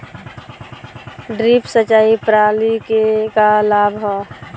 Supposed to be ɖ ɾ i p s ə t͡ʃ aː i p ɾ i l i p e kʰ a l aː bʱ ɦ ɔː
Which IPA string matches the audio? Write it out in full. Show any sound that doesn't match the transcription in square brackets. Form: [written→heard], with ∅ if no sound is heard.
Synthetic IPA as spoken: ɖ ɾ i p s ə t͡ʃ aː i p ɾ [i→a] l i [p→k] e [kʰ→k] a l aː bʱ ɦ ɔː